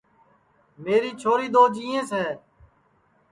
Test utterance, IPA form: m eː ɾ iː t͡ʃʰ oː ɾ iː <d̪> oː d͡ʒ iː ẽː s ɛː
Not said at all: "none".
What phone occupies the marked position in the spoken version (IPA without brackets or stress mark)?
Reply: d̪